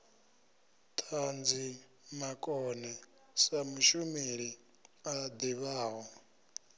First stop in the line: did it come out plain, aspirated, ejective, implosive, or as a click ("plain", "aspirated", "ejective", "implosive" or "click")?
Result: aspirated